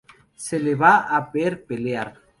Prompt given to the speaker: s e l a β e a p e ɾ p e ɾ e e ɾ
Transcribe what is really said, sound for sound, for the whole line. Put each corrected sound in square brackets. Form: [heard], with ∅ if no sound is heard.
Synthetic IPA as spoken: s e l [e] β [a] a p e ɾ p e [l] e [a] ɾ